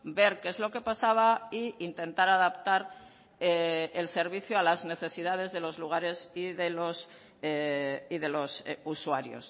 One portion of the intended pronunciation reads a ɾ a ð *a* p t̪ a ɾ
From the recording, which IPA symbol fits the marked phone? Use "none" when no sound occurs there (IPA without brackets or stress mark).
a